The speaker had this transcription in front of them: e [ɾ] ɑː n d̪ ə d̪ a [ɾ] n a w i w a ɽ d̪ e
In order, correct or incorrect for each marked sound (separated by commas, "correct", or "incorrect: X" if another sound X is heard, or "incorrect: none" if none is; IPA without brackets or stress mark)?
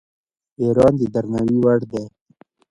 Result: correct, correct